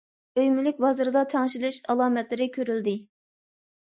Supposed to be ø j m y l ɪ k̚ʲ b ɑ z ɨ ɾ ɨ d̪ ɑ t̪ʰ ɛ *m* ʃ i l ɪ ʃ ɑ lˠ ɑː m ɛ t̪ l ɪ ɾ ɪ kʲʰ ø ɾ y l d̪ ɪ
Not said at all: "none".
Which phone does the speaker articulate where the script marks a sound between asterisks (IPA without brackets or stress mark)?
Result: ŋ